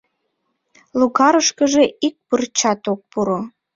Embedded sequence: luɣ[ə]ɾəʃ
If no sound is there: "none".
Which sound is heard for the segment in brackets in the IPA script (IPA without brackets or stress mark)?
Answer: ɑ